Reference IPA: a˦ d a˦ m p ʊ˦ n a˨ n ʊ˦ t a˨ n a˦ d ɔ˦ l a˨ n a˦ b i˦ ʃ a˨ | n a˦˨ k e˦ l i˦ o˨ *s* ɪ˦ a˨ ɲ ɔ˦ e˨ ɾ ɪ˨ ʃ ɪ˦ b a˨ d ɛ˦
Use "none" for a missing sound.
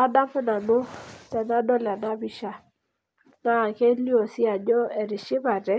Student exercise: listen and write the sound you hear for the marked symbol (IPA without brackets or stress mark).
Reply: s